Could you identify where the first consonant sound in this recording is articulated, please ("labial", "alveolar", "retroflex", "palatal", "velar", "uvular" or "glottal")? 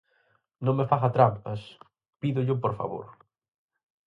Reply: alveolar